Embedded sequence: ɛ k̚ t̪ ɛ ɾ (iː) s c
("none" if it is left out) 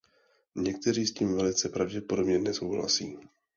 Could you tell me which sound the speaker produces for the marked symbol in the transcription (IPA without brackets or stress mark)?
iː